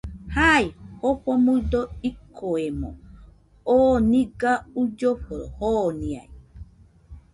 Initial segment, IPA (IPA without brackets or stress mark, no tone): h